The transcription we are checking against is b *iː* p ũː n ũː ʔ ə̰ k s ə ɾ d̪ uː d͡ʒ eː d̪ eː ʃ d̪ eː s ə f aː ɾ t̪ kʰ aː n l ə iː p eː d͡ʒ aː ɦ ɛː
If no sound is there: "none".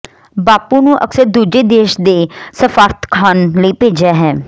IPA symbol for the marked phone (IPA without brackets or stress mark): aː